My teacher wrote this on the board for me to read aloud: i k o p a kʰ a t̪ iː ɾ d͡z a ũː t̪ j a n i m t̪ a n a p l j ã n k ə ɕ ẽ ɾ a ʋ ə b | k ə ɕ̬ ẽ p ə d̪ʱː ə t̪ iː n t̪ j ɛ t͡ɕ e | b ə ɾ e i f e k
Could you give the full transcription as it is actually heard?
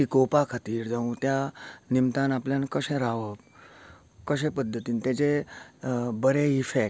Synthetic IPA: i k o p a kʰ a t̪ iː ɾ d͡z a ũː t̪ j a n i m t̪ a n a p l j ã n k ə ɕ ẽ ɾ a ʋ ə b | k ə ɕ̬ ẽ p ə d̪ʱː ə t̪ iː n t̪ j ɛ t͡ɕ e | b ə ɾ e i f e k